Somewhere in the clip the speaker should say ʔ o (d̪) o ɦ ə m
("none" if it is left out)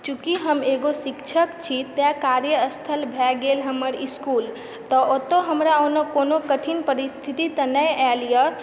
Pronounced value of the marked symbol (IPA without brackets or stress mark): t̪